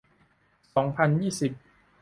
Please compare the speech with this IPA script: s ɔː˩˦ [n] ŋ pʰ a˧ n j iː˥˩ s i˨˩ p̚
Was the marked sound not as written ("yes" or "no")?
yes